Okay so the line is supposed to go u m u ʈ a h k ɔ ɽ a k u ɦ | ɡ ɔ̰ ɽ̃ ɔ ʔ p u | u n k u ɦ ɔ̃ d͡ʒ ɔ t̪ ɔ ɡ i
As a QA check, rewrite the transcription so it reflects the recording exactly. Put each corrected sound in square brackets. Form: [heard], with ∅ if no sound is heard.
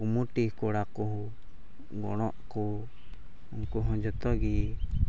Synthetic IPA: u m u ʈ [i] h k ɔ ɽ a k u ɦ | ɡ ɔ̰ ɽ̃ ɔ ʔ [k] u | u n k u ɦ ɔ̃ d͡ʒ ɔ t̪ ɔ ɡ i